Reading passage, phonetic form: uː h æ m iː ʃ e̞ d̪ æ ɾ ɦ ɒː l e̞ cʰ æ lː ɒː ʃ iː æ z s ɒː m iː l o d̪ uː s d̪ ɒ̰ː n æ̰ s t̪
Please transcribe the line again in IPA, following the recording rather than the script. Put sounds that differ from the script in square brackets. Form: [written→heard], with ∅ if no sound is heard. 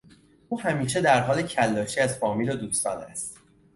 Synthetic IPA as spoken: uː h æ m iː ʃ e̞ d̪ æ ɾ ɦ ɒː l e̞ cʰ æ lː ɒː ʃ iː æ z [s→f] ɒː m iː l o d̪ uː s [d̪→t̪] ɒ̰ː n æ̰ s t̪